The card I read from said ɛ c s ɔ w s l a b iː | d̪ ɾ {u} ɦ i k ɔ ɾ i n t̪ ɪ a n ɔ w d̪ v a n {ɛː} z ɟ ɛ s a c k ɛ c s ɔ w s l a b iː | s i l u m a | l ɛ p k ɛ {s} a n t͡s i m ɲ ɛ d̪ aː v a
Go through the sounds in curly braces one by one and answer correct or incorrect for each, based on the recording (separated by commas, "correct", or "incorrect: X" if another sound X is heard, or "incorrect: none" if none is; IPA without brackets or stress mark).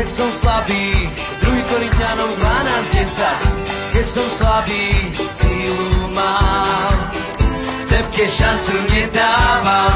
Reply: correct, incorrect: aː, incorrect: ʃ